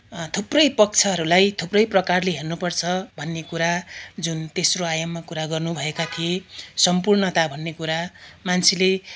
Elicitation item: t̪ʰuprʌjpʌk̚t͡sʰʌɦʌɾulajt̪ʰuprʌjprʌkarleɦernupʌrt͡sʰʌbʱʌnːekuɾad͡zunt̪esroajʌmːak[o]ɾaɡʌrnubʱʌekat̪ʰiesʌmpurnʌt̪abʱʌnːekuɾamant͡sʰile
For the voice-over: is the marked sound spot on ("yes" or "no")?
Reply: no